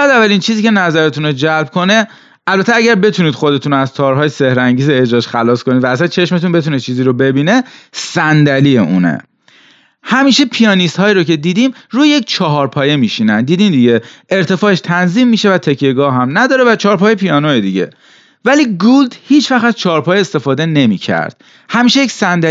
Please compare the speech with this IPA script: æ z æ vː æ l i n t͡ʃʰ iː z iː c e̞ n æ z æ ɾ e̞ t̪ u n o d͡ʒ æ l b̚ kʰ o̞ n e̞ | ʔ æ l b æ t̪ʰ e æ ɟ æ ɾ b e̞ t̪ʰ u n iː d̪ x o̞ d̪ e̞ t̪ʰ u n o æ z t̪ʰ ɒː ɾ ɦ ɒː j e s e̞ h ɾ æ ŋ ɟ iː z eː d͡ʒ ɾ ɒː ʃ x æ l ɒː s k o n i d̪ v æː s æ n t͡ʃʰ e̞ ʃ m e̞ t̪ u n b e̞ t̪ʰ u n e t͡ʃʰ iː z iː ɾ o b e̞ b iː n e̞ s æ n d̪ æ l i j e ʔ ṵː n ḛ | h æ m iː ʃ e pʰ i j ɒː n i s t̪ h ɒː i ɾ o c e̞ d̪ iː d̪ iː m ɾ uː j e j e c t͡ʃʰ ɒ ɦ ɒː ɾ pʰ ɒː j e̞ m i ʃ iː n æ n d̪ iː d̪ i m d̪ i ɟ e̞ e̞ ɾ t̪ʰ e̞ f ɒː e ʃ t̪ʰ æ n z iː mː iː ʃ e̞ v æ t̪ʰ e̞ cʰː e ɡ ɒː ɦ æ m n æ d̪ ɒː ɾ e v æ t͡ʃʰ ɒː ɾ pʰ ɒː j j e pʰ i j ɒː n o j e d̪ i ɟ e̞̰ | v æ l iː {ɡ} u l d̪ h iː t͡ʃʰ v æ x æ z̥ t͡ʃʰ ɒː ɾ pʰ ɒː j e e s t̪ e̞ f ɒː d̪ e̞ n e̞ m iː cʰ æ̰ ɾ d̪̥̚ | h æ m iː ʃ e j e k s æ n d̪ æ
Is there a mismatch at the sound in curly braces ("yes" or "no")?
no